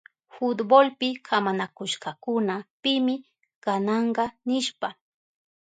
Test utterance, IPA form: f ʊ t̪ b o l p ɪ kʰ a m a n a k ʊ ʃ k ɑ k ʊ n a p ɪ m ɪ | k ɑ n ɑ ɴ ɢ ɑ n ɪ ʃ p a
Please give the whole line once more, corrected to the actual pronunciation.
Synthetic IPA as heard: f ʊ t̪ b o l p ɪ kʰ a m a n a k ʊ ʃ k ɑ k ʊ n a p ɪ m ɪ | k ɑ n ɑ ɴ ɢ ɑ n ɪ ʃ p a